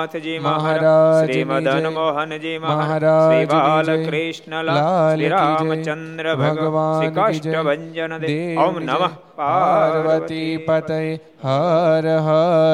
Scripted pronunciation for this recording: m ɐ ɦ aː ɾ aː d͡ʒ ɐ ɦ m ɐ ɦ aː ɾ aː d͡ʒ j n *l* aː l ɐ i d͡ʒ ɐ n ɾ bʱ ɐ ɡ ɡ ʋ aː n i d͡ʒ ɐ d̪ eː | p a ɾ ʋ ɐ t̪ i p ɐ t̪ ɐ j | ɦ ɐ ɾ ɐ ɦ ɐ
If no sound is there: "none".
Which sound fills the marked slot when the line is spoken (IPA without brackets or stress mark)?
l